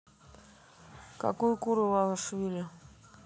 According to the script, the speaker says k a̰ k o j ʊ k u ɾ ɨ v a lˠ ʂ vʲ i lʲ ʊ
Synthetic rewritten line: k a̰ k u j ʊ k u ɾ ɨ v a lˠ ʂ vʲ i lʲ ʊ

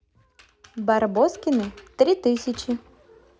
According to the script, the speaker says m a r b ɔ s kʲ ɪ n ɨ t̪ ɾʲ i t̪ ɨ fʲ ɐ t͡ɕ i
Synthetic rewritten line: b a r b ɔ s kʲ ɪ n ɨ t̪ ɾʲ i t̪ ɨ sʲ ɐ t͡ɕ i

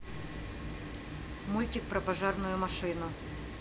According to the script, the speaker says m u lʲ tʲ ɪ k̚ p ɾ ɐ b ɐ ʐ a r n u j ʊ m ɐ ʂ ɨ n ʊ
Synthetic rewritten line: m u lʲ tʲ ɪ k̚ p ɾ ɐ p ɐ ʐ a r n ʊ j ʊ m ɐ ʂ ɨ n ʊ

